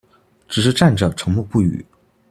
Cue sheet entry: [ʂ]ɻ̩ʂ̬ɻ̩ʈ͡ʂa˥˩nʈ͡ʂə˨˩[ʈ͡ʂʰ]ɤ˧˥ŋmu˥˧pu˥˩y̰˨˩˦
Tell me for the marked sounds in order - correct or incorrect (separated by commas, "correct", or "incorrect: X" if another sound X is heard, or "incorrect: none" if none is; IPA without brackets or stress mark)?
incorrect: ʈ͡ʂ, correct